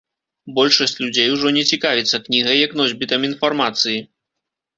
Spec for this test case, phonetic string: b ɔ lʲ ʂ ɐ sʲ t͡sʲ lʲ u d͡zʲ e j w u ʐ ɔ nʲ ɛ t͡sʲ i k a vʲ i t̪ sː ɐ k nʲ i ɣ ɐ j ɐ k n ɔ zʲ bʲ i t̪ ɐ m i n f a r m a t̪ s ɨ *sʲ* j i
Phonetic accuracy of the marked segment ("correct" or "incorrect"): incorrect